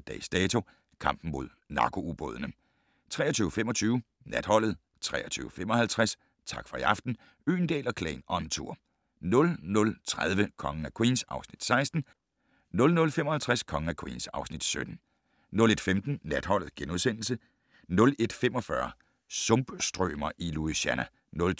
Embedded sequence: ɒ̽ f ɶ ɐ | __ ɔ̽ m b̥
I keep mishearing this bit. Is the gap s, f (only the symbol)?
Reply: s